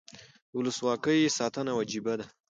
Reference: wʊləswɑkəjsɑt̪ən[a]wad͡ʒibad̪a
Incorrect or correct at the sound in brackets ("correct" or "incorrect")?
correct